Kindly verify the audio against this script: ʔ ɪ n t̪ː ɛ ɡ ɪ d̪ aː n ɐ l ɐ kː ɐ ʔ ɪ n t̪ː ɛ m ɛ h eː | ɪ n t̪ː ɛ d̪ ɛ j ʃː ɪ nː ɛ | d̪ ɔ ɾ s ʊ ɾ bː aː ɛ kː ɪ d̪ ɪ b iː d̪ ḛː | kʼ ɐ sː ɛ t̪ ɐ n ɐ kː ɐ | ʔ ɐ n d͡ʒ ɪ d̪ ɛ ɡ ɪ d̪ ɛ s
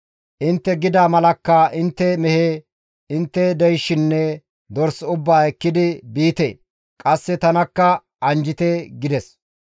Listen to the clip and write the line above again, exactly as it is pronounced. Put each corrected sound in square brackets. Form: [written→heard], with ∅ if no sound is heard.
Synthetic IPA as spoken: ʔ ɪ n t̪ː ɛ ɡ ɪ d̪ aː [n→m] ɐ l ɐ kː ɐ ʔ ɪ n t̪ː ɛ m ɛ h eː | ɪ n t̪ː ɛ d̪ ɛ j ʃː ɪ nː ɛ | d̪ ɔ ɾ s ʊ [ɾ→∅] bː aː ɛ kː ɪ d̪ ɪ b iː [d̪→t̪] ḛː | kʼ ɐ sː ɛ t̪ ɐ n ɐ kː ɐ | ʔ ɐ n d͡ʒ ɪ [d̪→t̪] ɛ ɡ ɪ d̪ ɛ s